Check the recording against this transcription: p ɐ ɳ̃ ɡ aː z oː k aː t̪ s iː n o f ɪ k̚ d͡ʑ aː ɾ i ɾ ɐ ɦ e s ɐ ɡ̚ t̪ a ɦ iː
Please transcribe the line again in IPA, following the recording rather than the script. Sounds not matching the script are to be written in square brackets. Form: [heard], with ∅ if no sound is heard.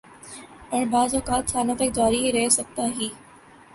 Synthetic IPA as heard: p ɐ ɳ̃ [b] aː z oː k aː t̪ s [aː] n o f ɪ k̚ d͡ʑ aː ɾ i ɾ ɐ ɦ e s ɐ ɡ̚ t̪ a ɦ iː